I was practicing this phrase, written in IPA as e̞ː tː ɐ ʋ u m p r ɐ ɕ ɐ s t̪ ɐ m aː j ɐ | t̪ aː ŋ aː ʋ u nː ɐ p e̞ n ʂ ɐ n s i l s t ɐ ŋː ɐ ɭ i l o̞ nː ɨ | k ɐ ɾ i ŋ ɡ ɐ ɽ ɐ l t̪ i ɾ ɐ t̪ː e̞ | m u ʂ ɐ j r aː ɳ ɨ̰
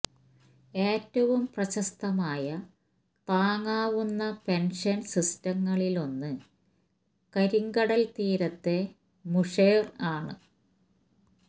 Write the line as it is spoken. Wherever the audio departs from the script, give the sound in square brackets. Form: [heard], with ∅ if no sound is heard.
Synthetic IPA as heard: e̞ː tː ɐ ʋ u m p r ɐ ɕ ɐ s t̪ ɐ m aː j ɐ | t̪ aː ŋ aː ʋ u nː ɐ p e̞ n ʂ ɐ n s i [∅] s t ɐ ŋː ɐ ɭ i l o̞ nː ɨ | k ɐ ɾ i ŋ ɡ ɐ ɽ ɐ l t̪ [iː] ɾ ɐ t̪ː e̞ | m u ʂ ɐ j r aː ɳ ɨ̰